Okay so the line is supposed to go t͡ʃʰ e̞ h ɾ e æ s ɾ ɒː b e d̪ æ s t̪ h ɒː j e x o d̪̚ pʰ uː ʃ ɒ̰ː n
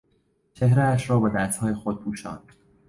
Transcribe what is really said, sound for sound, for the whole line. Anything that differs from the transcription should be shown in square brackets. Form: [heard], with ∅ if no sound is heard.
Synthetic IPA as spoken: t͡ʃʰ e̞ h ɾ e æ [ʃ] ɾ ɒː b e d̪ æ s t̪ h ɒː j e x o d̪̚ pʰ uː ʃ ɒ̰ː n